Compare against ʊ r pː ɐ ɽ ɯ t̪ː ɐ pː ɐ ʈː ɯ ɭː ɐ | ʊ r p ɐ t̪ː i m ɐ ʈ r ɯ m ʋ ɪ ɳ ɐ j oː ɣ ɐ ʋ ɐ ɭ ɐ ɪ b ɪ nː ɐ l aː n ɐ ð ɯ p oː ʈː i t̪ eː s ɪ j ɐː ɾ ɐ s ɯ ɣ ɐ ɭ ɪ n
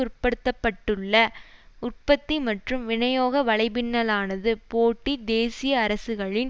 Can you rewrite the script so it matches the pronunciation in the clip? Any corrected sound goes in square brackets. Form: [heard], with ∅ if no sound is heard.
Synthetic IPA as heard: ʊ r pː ɐ ɽ ɯ t̪ː ɐ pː ɐ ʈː ɯ ɭː ɐ | ʊ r p ɐ t̪ː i m ɐ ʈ r ɯ m ʋ ɪ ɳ ɐ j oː ɣ ɐ ʋ ɐ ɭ ɐ ɪ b ɪ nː ɐ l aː n ɐ ð ɯ p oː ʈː i [d̪] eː s ɪ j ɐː ɾ ɐ s ɯ ɣ ɐ ɭ ɪ n